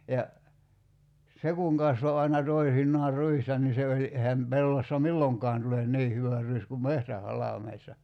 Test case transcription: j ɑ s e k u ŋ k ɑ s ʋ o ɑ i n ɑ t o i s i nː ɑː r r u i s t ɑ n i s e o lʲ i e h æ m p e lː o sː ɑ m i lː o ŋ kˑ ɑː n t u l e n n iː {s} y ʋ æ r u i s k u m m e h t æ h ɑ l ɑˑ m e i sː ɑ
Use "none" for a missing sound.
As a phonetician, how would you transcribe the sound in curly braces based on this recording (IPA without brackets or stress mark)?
h